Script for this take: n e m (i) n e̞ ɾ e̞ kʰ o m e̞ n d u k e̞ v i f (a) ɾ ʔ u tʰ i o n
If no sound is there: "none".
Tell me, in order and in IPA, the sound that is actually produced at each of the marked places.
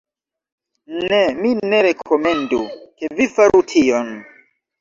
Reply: i, a

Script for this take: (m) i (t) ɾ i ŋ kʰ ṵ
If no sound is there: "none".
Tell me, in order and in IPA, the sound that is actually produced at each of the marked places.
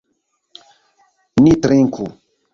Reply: n, t

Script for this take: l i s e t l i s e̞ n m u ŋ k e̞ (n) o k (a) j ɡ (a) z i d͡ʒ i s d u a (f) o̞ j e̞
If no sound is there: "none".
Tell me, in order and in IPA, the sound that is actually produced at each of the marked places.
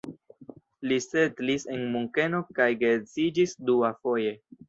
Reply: n, a, e, f

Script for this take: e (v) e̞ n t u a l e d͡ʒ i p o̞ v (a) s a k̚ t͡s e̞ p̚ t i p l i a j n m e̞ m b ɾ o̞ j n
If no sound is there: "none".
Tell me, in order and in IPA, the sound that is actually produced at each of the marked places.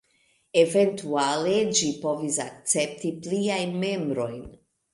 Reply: v, i

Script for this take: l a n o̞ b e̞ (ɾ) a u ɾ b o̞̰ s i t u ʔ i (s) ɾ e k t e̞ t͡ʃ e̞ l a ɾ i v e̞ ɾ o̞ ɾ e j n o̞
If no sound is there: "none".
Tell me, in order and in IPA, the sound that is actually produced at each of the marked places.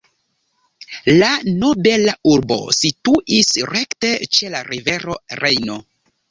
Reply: l, s

